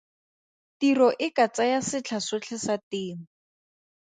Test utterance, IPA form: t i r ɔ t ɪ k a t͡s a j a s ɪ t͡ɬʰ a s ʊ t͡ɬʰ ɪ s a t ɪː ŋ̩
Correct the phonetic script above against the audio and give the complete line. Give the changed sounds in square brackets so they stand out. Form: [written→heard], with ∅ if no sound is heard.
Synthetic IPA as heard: t i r ɔ [t→ʔ] ɪ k a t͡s a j a s ɪ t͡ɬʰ a s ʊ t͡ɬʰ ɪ s a t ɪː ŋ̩